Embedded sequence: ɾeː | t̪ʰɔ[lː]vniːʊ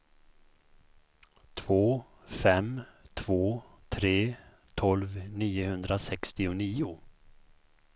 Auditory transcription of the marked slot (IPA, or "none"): l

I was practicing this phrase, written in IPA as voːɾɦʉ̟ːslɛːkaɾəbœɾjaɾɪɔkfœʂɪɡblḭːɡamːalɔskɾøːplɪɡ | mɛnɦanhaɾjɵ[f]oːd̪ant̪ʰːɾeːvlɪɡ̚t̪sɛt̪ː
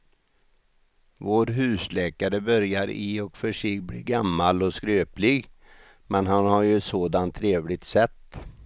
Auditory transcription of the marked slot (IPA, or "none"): s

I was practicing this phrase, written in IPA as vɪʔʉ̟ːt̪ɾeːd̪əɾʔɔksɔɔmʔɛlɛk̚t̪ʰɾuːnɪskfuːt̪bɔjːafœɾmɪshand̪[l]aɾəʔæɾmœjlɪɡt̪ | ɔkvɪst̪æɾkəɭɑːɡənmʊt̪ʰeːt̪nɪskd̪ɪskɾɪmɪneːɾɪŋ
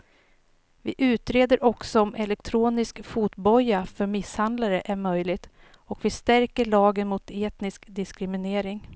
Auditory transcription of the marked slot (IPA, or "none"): l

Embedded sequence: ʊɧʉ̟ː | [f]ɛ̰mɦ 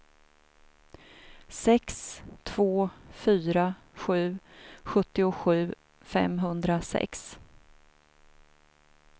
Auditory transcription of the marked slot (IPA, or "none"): f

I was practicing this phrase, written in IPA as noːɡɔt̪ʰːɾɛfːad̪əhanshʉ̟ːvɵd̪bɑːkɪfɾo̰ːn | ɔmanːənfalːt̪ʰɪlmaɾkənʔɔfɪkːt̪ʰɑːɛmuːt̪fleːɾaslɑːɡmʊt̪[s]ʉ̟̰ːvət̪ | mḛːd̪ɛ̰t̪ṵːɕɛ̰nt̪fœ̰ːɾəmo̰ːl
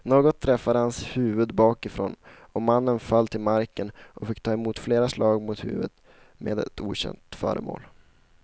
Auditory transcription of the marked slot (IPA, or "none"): h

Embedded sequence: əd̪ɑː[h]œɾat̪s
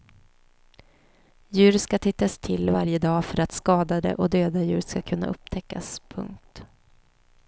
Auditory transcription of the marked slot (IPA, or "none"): f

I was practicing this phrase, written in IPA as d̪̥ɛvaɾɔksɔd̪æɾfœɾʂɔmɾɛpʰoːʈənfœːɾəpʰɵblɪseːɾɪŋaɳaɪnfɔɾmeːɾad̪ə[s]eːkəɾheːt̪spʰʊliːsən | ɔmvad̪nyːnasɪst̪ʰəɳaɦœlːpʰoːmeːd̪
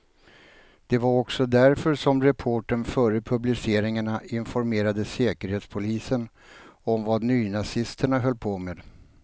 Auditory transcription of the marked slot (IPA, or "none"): s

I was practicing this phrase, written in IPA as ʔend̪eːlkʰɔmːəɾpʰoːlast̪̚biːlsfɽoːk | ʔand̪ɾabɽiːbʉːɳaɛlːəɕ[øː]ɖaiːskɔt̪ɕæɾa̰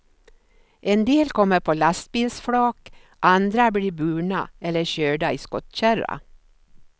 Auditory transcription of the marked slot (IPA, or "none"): øː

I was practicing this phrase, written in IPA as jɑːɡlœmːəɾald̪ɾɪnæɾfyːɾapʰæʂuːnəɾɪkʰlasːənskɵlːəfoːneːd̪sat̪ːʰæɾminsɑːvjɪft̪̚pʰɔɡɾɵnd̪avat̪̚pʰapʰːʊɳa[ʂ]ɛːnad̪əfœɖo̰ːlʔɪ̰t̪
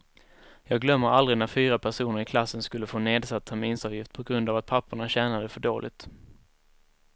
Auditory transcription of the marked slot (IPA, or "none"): ɕ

